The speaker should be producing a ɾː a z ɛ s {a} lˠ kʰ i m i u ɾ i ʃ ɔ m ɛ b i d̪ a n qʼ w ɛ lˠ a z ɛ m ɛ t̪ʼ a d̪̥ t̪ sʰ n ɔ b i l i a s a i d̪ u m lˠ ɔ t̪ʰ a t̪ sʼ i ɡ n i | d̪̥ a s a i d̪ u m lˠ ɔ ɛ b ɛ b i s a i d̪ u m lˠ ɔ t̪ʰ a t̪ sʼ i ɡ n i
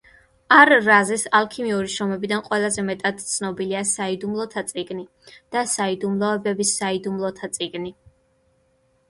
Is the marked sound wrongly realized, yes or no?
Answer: no